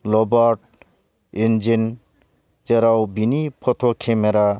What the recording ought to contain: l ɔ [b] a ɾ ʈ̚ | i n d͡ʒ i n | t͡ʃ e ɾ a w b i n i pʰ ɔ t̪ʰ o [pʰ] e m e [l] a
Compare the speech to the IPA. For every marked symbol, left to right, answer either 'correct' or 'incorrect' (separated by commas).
correct, incorrect, incorrect